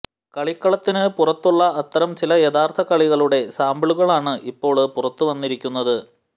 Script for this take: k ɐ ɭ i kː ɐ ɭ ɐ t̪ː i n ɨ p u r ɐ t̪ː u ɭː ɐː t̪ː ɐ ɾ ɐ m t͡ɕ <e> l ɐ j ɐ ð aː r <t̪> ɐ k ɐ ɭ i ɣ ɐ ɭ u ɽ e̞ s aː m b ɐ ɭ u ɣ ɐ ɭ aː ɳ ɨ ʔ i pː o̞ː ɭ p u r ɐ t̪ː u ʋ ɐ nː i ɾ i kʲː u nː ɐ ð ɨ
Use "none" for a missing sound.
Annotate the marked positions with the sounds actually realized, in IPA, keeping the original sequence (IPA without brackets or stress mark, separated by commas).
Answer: i, t̪ʰ